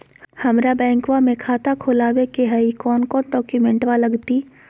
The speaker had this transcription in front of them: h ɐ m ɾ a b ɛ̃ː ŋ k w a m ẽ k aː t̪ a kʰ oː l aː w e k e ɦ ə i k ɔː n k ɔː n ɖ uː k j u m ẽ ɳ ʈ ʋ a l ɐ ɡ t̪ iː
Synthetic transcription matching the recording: h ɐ m ɾ a b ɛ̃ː ŋ k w a m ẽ kʰ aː t̪ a kʰ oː l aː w e k e ɦ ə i k ɔː n k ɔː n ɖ ɔː k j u m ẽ ɳ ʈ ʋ a l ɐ ɡ t̪ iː